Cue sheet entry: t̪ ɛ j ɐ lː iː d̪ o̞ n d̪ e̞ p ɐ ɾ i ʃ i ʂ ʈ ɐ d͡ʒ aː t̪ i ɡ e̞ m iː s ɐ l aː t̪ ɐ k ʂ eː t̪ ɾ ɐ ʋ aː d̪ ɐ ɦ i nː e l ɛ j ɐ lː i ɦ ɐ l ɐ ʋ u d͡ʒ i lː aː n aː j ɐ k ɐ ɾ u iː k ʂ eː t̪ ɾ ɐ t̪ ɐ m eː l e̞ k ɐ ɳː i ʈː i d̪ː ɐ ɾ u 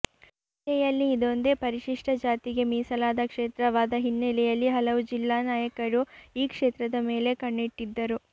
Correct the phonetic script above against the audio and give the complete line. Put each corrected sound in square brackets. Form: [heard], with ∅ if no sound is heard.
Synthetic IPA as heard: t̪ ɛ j ɐ lː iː d̪ o̞ n d̪ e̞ p ɐ ɾ i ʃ i ʂ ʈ ɐ d͡ʒ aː t̪ i ɡ e̞ m iː s ɐ l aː [d̪] ɐ k ʂ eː t̪ ɾ ɐ ʋ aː d̪ ɐ ɦ i nː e l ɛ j ɐ lː i ɦ ɐ l ɐ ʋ u d͡ʒ i lː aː n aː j ɐ k ɐ ɾ u iː k ʂ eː t̪ ɾ ɐ [d̪] ɐ m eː l e̞ k ɐ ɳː i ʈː i d̪ː ɐ ɾ u

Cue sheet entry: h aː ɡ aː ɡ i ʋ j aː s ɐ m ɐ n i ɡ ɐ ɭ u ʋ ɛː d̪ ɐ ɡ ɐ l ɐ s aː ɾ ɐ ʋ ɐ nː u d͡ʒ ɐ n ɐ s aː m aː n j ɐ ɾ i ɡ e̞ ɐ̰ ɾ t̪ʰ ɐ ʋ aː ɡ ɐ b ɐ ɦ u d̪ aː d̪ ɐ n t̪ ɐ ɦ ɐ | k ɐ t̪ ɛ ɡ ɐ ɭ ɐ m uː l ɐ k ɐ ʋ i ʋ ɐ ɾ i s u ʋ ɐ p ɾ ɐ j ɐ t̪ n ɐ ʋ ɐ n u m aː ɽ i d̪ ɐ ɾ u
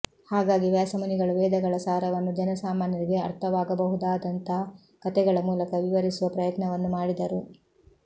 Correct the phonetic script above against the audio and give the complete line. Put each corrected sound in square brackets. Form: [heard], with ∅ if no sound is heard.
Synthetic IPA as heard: h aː ɡ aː ɡ i ʋ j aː s ɐ m ɐ n i ɡ ɐ ɭ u ʋ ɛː d̪ ɐ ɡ ɐ [ɭ] ɐ s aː ɾ ɐ ʋ ɐ nː u d͡ʒ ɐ n ɐ s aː m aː n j ɐ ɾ i ɡ e̞ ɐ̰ ɾ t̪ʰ ɐ ʋ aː ɡ ɐ b ɐ ɦ u d̪ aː d̪ ɐ n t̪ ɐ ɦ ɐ | k ɐ t̪ ɛ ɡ ɐ ɭ ɐ m uː l ɐ k ɐ ʋ i ʋ ɐ ɾ i s u ʋ ɐ p ɾ ɐ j ɐ t̪ n ɐ ʋ ɐ [nː] u m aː ɽ i d̪ ɐ ɾ u

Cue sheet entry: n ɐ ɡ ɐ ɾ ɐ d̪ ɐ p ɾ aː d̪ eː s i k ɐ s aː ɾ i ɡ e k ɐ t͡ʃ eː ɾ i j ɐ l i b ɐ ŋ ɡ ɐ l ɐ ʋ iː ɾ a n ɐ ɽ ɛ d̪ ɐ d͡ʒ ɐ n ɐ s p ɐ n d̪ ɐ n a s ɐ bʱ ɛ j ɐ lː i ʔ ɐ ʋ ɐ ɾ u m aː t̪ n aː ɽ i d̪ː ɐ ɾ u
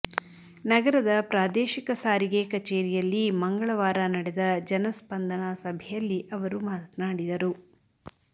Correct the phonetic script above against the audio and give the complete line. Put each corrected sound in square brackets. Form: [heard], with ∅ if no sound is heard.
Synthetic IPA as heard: n ɐ ɡ ɐ ɾ ɐ d̪ ɐ p ɾ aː d̪ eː [ʃ] i k ɐ s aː ɾ i ɡ e k ɐ t͡ʃ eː ɾ i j ɐ [lː] i [m] ɐ ŋ ɡ ɐ [ɭ] ɐ ʋ [aː] ɾ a n ɐ ɽ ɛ d̪ ɐ d͡ʒ ɐ n ɐ s p ɐ n d̪ ɐ n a s ɐ bʱ ɛ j ɐ lː i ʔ ɐ ʋ ɐ ɾ u m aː t̪ n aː ɽ i [d̪] ɐ ɾ u

